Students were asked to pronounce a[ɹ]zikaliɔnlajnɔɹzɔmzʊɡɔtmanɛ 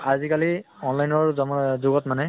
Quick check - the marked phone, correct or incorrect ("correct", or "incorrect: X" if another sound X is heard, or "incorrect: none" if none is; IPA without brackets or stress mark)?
incorrect: none